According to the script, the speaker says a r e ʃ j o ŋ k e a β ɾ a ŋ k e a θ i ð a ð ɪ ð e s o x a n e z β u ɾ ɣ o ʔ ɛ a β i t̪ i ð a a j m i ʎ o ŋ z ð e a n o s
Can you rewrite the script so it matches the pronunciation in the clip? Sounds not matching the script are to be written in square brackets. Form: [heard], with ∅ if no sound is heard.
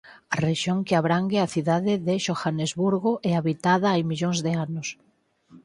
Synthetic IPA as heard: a r e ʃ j o ŋ k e a β ɾ a ŋ [ɡ] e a θ i ð a ð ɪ ð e [ʃ] o x a n e z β u ɾ ɣ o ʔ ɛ a β i t̪ [a] ð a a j m i ʎ o ŋ z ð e a n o s